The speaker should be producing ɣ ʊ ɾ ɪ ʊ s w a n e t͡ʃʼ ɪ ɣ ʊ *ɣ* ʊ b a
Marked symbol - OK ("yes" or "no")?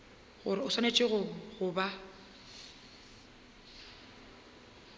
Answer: yes